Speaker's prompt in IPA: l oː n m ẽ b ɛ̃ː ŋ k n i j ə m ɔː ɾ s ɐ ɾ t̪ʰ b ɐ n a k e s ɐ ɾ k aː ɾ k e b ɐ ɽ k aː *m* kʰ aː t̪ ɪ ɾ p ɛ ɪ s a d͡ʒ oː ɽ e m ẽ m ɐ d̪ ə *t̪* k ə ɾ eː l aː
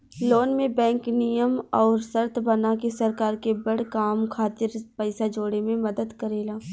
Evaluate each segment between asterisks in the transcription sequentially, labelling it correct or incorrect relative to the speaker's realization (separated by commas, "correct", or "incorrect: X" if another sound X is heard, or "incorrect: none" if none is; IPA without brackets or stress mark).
correct, incorrect: d̪